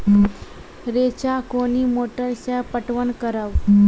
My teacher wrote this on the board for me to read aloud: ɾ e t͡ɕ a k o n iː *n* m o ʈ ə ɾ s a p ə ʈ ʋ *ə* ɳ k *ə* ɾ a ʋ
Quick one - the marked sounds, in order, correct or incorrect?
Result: incorrect: none, correct, correct

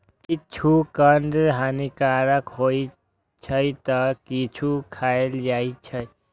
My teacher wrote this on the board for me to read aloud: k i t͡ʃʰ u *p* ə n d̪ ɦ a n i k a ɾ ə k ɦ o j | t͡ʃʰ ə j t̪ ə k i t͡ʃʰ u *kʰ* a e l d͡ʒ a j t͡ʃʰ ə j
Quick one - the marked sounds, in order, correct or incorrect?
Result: incorrect: k, correct

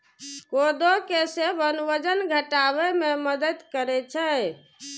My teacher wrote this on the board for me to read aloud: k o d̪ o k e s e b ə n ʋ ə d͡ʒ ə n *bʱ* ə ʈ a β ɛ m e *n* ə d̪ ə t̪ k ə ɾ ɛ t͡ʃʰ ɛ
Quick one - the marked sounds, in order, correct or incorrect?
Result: incorrect: ɡʱ, incorrect: m

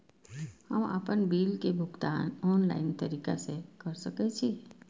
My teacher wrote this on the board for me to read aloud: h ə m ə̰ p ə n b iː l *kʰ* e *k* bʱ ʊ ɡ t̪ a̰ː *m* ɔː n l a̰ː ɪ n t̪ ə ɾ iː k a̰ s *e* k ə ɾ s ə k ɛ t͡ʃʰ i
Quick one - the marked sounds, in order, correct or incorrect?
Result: incorrect: k, incorrect: none, incorrect: n, correct

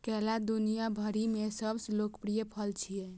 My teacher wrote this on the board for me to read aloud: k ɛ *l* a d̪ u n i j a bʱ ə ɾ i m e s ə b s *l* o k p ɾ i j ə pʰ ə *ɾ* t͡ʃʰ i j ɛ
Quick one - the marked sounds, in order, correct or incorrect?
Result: correct, correct, incorrect: l

